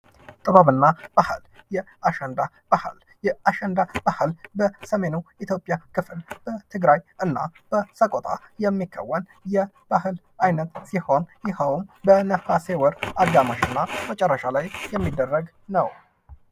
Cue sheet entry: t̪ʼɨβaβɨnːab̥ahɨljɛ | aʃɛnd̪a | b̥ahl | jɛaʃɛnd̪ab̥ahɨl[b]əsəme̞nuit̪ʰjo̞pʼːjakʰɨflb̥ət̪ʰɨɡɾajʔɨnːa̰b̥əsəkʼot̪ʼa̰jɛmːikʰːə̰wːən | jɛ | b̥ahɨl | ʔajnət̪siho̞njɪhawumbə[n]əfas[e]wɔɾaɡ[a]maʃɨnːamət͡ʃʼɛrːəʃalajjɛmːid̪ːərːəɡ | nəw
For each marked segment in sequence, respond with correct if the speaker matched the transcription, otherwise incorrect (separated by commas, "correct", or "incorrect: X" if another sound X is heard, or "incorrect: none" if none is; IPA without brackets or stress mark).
correct, correct, correct, correct